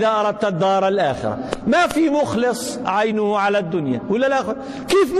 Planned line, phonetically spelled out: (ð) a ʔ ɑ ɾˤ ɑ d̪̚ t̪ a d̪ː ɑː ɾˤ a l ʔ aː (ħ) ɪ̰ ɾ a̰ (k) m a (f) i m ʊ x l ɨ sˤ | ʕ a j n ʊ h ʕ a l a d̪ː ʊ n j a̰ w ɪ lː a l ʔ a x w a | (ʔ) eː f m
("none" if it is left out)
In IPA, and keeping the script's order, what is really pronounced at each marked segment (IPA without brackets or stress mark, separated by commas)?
ð, x, none, f, k